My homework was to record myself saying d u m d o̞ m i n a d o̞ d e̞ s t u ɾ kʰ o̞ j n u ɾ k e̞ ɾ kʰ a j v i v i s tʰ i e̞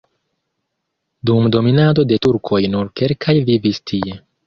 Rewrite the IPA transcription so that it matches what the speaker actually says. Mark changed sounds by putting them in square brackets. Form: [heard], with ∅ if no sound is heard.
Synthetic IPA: d u m d o̞ m i n a d o̞ d e̞ [∅] t u ɾ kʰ o̞ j n u ɾ k e̞ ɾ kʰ a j v i v i s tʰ i e̞